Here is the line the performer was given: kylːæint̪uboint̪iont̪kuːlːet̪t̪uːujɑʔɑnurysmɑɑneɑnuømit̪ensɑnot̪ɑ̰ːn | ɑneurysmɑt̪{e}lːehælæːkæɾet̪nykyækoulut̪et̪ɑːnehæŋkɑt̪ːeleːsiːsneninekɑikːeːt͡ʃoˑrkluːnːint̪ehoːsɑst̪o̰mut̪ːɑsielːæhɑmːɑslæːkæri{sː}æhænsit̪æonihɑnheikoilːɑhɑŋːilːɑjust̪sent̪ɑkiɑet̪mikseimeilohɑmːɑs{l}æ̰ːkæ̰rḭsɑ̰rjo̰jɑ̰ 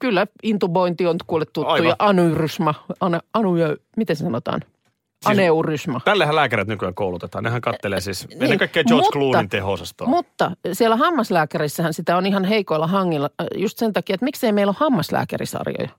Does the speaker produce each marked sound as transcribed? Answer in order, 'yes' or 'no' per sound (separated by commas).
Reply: no, yes, yes